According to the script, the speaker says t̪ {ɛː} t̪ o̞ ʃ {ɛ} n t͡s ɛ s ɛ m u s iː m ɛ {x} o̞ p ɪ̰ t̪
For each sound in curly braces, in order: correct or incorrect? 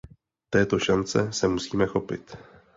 correct, incorrect, correct

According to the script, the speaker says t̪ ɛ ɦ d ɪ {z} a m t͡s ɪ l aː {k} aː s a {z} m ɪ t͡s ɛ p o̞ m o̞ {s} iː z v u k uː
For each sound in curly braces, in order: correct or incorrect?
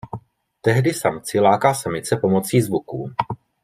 incorrect, correct, incorrect, incorrect

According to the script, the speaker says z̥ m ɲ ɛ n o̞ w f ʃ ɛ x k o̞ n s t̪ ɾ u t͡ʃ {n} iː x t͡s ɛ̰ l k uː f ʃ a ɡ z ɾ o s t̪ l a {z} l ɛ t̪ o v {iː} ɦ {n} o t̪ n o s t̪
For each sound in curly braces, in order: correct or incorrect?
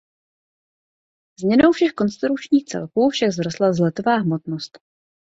incorrect, correct, incorrect, incorrect

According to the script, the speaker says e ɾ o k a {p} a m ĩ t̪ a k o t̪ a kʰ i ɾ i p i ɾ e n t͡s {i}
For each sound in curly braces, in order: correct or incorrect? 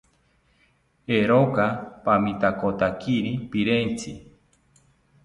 correct, correct

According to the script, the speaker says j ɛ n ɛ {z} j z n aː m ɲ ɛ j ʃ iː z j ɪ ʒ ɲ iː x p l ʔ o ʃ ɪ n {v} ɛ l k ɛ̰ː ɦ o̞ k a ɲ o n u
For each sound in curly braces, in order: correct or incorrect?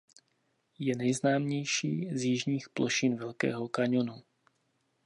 incorrect, correct

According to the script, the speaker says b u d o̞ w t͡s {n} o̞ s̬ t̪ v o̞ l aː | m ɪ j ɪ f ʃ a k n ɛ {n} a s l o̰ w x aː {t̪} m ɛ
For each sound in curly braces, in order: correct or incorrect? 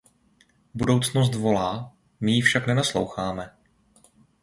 correct, correct, incorrect

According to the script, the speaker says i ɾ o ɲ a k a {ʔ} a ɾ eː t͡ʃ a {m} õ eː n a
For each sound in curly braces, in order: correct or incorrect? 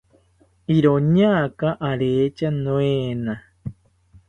correct, incorrect

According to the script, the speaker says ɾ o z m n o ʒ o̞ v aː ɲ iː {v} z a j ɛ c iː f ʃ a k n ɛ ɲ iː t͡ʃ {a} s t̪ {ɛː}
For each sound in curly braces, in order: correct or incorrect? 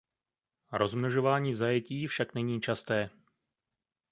correct, correct, correct

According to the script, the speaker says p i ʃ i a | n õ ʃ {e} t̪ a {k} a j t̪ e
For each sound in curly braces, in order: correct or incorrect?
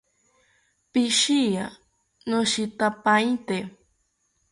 incorrect, incorrect

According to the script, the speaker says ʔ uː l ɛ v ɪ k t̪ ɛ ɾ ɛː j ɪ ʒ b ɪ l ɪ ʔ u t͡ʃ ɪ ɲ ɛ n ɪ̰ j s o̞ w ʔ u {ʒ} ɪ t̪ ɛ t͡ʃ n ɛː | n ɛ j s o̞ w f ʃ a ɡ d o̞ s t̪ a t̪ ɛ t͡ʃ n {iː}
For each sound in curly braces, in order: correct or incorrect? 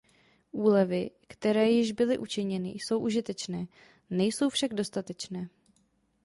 correct, incorrect

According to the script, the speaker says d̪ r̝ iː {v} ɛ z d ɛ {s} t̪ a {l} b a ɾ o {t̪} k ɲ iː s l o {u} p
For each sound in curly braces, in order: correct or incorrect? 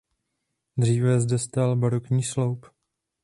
correct, correct, correct, incorrect, incorrect

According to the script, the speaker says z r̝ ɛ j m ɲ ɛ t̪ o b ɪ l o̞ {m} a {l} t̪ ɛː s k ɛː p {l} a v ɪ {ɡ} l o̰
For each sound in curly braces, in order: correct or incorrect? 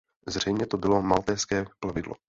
correct, correct, correct, incorrect

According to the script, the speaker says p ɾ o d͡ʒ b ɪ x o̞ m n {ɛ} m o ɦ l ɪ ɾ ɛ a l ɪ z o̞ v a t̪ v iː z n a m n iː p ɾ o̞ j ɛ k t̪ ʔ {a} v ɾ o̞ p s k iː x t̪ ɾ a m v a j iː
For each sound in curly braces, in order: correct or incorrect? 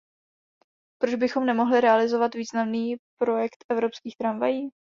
correct, incorrect

